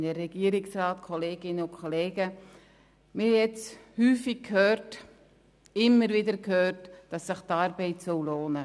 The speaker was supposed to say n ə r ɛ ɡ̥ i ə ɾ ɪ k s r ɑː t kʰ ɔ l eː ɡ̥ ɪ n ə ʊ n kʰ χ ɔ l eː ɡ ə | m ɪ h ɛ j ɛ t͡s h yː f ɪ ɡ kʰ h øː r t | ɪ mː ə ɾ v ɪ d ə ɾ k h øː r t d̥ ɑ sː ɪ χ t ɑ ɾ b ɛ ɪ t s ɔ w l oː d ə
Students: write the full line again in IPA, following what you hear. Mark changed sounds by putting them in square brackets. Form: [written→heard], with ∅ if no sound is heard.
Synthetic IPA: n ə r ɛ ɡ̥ i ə ɾ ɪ k s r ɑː t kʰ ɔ l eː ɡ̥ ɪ n ə ʊ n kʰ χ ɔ l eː ɡ ə | m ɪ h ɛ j ɛ t͡s h yː f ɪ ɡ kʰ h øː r t | ɪ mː ə ɾ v ɪ d ə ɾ k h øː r t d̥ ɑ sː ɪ χ t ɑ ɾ b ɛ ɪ t s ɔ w l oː [d→n] ə